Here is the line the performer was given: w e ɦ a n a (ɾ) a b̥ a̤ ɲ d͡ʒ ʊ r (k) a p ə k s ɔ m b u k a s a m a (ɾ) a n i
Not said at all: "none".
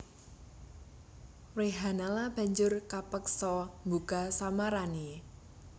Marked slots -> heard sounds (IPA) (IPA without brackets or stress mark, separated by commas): l, k, ɾ